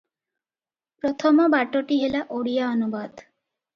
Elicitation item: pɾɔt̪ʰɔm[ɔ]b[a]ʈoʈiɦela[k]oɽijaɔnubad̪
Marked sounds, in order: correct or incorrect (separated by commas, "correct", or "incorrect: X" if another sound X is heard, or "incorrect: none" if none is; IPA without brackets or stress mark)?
correct, correct, incorrect: ʔ